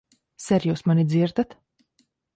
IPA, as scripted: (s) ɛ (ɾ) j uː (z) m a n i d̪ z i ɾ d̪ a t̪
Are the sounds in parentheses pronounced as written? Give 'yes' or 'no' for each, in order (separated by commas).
yes, yes, no